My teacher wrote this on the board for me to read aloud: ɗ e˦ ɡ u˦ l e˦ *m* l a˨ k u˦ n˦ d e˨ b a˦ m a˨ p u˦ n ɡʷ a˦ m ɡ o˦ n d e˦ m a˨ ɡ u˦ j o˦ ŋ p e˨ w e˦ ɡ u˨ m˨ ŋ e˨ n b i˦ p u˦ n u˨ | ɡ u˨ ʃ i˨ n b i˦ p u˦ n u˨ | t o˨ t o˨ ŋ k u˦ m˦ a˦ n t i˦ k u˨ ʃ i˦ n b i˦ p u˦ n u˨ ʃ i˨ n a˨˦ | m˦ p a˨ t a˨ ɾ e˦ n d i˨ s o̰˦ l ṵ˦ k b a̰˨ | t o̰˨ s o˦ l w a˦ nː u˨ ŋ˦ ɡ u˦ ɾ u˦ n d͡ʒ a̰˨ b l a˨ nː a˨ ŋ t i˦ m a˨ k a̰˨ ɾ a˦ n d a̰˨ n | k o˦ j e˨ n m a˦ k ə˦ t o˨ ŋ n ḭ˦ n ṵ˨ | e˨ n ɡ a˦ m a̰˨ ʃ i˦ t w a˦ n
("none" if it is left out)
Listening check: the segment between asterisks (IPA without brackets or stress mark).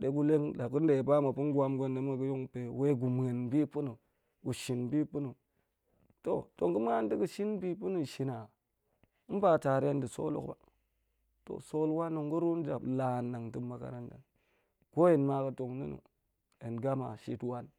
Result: ŋ